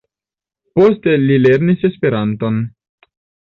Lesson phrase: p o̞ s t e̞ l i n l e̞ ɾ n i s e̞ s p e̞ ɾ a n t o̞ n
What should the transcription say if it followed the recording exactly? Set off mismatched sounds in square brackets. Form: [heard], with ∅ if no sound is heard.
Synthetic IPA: p o̞ s t e̞ l i [∅] l e̞ ɾ n i s e̞ s p e̞ ɾ a n t o̞ n